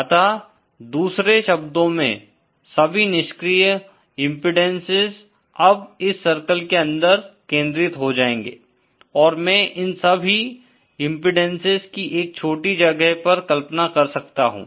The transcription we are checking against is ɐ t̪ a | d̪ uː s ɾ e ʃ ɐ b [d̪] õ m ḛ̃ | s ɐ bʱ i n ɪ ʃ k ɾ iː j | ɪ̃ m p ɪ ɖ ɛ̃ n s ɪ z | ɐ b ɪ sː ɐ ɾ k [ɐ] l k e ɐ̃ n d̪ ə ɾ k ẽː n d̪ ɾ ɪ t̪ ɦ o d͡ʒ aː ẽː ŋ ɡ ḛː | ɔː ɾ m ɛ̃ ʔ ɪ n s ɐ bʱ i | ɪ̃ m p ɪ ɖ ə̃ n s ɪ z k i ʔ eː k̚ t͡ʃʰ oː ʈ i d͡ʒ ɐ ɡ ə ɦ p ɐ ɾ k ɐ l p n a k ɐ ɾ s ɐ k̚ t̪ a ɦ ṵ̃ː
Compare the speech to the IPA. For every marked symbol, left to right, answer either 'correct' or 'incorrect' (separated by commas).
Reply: correct, incorrect